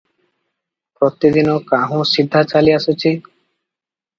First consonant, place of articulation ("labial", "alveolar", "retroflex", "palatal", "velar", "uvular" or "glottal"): labial